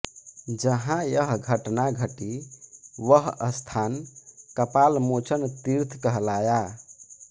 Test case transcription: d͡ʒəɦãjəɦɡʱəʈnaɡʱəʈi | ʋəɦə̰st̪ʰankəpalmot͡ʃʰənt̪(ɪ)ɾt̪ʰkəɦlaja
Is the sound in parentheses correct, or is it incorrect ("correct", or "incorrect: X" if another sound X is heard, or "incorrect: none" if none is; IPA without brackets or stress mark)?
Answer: incorrect: i